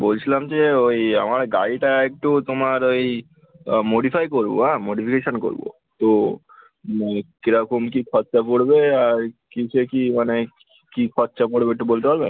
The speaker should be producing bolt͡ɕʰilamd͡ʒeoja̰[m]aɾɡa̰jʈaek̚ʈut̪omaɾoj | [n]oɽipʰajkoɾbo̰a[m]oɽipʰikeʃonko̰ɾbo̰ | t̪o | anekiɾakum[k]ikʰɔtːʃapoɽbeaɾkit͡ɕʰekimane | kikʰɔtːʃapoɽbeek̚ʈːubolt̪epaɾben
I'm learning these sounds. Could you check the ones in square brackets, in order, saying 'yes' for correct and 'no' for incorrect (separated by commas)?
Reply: yes, no, yes, yes